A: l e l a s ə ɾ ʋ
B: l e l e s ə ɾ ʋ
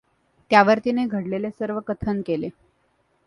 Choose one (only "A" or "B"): B